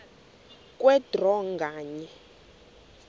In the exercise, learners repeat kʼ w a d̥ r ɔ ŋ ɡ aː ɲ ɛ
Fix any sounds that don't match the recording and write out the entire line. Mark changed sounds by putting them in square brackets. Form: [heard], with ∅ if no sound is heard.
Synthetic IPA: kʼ w [ɛ] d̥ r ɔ ŋ ɡ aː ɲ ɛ